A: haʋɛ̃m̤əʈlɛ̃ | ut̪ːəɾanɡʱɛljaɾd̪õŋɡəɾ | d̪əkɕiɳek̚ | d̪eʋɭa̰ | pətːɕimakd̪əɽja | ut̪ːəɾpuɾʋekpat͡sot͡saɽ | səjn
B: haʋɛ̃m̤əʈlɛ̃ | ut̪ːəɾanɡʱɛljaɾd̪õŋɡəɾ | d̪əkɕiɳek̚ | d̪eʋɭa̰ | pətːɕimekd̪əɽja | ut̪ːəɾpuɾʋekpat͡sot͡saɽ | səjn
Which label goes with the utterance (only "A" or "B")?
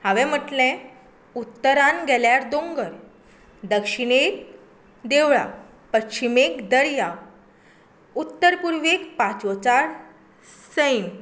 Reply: B